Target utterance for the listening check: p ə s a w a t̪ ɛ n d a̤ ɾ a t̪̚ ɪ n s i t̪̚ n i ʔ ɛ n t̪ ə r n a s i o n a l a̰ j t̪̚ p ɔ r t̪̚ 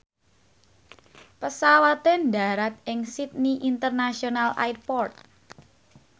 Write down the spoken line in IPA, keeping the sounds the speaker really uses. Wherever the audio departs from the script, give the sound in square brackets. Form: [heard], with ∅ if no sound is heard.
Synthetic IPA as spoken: p ə s a w a t̪ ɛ n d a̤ ɾ a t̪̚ ɪ [ŋ] s i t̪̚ n i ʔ [i] n t̪ ə r n a s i o n a l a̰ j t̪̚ p ɔ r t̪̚